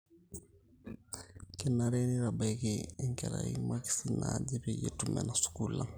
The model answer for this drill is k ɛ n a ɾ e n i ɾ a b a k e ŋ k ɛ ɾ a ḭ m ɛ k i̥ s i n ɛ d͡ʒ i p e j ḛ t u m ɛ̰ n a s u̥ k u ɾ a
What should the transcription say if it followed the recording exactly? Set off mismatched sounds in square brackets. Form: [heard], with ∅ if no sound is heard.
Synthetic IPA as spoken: k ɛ n a ɾ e n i ɾ a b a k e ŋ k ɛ ɾ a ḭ m [a] k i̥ s i n [a] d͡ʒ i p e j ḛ t u m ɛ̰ n a s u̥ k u [l] a